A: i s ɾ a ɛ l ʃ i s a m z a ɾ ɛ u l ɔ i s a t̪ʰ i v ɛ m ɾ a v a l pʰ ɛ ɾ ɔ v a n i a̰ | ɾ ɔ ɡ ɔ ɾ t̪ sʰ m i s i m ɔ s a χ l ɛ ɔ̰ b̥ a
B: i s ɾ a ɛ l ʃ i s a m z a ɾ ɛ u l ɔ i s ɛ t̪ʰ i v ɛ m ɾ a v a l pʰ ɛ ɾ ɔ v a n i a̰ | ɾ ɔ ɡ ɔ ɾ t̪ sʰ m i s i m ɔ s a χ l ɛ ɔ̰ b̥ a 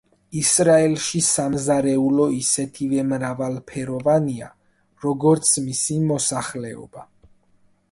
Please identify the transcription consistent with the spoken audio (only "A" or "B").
B